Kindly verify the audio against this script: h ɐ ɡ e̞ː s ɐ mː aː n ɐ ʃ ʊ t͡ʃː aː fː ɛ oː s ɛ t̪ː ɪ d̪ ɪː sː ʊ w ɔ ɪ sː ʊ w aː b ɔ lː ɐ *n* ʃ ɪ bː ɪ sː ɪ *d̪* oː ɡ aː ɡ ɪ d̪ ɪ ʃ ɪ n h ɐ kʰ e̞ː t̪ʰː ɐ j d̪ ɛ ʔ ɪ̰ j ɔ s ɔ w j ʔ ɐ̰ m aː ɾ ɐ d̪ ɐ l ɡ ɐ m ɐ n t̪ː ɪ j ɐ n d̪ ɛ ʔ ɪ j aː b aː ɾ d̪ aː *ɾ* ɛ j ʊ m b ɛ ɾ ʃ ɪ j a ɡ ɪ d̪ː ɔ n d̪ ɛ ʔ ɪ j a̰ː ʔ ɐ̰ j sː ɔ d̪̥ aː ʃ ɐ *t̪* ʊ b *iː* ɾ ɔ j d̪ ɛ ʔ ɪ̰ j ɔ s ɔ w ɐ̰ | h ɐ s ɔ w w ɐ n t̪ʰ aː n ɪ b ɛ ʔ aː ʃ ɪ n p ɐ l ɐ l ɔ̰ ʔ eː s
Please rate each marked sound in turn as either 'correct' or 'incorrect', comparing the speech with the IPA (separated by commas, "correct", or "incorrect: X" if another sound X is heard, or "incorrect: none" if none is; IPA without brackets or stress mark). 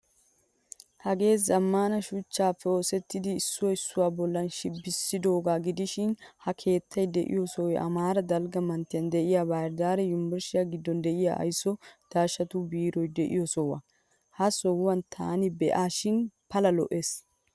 correct, correct, correct, correct, correct